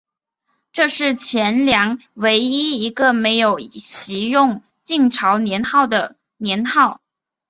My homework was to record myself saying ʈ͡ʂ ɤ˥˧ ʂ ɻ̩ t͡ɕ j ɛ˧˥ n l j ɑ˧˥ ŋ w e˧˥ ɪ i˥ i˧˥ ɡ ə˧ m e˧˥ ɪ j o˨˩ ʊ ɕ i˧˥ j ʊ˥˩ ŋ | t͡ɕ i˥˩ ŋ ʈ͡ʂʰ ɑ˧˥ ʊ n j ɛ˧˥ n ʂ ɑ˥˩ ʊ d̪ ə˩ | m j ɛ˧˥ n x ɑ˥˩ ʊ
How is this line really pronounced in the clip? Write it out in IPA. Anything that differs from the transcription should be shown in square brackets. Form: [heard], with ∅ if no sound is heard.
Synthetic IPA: ʈ͡ʂ ɤ˥˧ ʂ ɻ̩ [t͡ɕʰ] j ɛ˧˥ n l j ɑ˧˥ ŋ w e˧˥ ɪ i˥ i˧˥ ɡ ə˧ m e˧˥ ɪ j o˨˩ ʊ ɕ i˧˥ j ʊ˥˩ ŋ | t͡ɕ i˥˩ ŋ ʈ͡ʂʰ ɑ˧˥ ʊ n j ɛ˧˥ n [x] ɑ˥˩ ʊ d̪ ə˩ | [n] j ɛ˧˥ n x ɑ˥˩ ʊ